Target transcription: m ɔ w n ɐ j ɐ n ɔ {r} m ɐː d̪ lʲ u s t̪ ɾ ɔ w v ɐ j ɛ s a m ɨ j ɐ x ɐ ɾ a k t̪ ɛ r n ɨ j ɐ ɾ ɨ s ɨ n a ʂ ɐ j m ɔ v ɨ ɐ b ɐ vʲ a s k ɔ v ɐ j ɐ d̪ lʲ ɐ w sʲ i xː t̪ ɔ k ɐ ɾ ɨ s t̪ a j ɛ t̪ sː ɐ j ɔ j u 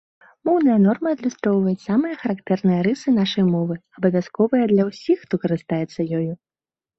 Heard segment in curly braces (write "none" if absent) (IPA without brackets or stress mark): r